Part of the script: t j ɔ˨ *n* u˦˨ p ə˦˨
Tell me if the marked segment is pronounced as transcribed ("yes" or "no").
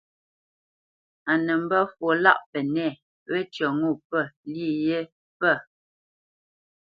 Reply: no